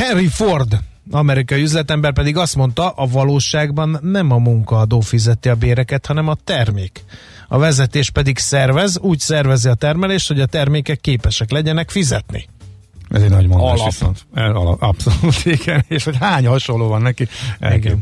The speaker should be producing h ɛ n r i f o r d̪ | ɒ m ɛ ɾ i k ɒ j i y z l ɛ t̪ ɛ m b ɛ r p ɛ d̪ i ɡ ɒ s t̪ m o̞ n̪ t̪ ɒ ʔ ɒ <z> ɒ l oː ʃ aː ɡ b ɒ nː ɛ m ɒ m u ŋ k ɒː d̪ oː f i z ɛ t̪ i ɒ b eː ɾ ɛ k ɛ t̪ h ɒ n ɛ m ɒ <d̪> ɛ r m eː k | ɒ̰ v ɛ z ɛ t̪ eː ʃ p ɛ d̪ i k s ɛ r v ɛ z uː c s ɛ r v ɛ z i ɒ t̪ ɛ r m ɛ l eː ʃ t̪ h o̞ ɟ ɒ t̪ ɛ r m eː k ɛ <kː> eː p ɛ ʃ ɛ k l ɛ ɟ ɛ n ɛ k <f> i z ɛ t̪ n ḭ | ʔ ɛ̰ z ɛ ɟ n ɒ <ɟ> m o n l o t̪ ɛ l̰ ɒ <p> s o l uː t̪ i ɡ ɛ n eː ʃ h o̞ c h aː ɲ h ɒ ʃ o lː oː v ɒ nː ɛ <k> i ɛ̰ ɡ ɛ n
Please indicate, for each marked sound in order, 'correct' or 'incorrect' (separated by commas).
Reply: incorrect, incorrect, correct, correct, correct, correct, correct